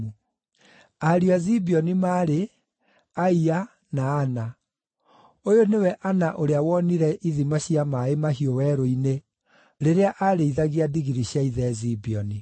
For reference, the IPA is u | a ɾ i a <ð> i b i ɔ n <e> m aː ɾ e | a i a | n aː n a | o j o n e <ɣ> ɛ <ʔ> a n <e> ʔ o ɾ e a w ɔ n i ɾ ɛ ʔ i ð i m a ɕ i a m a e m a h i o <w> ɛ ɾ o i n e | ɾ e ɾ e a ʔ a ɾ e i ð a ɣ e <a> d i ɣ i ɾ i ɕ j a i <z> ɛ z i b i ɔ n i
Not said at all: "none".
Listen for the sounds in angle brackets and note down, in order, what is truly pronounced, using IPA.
z, i, w, ʔ, a, w, a, ð

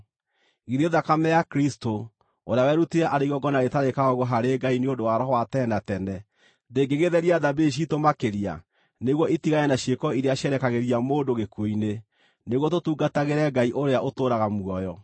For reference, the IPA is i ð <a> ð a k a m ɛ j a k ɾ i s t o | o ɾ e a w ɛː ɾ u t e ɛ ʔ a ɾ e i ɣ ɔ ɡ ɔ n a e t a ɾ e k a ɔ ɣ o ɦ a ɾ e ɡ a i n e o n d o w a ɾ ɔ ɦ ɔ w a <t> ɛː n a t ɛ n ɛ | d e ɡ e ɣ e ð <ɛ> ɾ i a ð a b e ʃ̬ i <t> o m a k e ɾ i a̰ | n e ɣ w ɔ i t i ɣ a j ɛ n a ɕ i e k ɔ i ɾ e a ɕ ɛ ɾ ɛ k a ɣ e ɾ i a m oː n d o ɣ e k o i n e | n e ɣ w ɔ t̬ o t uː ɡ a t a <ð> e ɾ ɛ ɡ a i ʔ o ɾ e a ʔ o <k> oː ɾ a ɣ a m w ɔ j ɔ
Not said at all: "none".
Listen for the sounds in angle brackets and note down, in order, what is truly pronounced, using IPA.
e, t, ɛ, t, ɣ, t

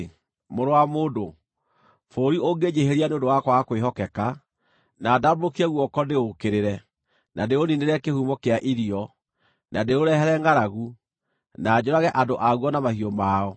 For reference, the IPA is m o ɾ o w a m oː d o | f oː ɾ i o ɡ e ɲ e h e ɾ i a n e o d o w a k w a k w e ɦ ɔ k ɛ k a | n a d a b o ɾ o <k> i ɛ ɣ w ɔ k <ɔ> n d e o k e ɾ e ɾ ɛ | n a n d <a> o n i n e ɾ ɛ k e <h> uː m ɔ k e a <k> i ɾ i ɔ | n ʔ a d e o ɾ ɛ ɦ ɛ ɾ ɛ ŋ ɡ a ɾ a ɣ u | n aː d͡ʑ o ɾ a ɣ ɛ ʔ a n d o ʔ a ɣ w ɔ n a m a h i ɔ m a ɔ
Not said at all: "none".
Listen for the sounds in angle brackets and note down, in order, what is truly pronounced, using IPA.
k, ɔ, e, h, ʔ

